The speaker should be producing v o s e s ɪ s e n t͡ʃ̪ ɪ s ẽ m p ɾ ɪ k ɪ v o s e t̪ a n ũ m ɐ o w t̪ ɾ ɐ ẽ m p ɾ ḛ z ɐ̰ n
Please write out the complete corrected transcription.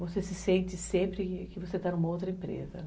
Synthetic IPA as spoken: v o s e s ɪ s ẽ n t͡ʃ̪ ɪ s ẽ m p ɾ ɪ k ɪ v o s e t̪ a n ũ m ɐ o w t̪ ɾ ɐ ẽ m p ɾ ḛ z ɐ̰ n